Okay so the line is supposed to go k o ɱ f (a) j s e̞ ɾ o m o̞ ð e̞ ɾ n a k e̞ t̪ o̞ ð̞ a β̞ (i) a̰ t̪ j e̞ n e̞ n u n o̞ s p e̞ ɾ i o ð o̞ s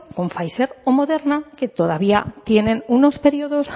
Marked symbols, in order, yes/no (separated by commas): yes, yes